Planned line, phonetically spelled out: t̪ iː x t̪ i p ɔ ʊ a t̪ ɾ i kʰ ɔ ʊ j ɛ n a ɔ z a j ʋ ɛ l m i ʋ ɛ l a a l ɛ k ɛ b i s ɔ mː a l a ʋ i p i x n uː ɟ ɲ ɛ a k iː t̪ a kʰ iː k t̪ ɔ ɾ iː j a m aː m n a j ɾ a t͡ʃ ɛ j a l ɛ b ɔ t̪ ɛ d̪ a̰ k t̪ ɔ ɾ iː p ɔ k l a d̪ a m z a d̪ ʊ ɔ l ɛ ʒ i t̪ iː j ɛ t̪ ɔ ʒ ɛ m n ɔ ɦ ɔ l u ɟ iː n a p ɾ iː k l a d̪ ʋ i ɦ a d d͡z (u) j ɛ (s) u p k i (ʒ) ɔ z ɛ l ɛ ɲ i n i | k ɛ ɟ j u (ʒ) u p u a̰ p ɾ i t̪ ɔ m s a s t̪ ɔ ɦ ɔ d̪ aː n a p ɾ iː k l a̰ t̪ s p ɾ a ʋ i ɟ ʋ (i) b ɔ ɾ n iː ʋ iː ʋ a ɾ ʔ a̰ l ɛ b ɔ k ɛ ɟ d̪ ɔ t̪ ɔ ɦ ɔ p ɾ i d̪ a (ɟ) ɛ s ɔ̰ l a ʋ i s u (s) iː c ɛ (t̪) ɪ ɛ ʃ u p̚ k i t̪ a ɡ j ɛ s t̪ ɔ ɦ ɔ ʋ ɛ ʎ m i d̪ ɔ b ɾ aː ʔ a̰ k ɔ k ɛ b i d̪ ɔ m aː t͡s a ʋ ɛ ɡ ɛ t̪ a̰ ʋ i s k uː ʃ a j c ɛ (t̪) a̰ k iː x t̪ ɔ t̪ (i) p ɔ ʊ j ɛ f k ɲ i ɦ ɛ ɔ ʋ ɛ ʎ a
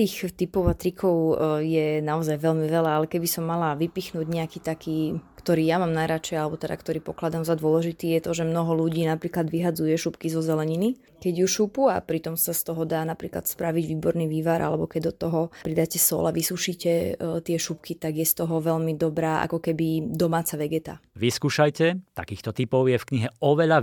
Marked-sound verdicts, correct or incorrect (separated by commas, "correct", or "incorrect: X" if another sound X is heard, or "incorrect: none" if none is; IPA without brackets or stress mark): correct, incorrect: ʃ, incorrect: z, incorrect: ʃ, incorrect: iː, incorrect: c, incorrect: ʃ, correct, correct, correct